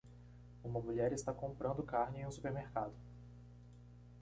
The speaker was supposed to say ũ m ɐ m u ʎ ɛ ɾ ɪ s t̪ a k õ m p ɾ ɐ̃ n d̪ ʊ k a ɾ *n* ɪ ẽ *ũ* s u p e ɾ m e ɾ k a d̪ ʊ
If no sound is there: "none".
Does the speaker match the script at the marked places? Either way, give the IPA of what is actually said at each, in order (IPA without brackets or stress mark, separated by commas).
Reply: n, ũ